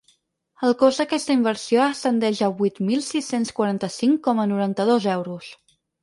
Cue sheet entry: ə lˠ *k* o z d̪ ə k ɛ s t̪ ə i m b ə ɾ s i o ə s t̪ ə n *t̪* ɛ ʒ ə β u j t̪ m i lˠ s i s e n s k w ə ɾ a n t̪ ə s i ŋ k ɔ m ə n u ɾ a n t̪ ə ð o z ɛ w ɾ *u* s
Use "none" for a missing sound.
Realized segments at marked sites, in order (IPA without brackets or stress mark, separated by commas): k, d̪, u